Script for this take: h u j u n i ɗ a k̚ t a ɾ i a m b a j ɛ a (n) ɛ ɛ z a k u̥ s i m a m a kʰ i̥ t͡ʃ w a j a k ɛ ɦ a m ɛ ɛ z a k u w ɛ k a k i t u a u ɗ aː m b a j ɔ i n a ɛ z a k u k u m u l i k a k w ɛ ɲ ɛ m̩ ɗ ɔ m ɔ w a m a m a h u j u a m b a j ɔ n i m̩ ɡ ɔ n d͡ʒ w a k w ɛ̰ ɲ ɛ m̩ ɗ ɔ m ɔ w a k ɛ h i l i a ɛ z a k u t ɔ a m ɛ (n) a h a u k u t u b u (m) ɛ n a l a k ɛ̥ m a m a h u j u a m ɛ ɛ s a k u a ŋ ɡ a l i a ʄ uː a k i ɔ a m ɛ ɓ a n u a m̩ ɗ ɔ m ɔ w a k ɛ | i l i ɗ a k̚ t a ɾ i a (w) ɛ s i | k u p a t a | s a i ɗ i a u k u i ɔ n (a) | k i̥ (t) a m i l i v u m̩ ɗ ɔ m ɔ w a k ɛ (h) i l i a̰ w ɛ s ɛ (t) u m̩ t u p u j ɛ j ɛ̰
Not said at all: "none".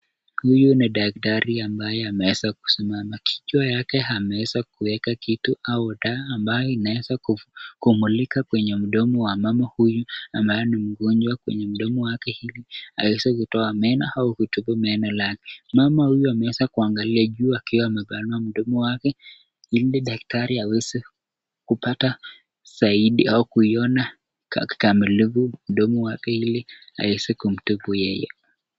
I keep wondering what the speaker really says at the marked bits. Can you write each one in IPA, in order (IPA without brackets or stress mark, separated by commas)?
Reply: m, n, m, w, a, k, h, k